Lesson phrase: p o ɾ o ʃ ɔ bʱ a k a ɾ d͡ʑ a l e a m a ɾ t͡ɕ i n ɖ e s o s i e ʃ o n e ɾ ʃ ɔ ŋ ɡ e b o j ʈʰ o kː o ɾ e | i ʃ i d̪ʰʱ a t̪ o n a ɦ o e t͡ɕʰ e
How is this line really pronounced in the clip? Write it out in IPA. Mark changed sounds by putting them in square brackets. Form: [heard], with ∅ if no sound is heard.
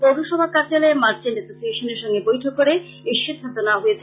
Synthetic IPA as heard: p o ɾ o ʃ ɔ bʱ a k a ɾ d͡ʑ a l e [e] m a ɾ t͡ɕ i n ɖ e s o s i e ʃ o n e ɾ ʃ ɔ ŋ ɡ e b o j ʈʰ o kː o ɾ e | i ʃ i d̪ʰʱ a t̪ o n a ɦ o e t͡ɕʰ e